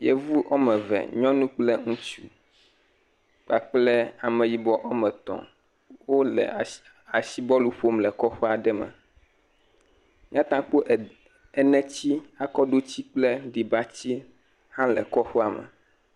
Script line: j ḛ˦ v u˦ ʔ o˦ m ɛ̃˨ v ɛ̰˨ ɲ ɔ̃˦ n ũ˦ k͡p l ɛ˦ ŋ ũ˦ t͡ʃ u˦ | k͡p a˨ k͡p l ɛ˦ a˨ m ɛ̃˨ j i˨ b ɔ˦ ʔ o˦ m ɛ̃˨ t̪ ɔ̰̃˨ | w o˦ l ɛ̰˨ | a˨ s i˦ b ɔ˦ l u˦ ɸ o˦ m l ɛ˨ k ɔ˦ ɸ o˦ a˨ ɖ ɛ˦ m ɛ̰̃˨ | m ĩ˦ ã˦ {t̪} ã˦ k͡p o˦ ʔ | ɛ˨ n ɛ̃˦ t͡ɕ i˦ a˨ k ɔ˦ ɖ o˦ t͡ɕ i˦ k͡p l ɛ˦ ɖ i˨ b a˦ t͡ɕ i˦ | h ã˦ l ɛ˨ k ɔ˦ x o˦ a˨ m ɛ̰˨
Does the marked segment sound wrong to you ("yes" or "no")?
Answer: no